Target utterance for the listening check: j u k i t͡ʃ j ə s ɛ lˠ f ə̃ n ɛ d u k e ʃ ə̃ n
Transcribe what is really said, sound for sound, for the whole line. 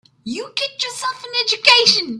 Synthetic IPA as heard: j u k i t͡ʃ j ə s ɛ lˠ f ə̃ n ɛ d͡ʒ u k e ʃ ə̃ n